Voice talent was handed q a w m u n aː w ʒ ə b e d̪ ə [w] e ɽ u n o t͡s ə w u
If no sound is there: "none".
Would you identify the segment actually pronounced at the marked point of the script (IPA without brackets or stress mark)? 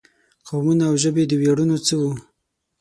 w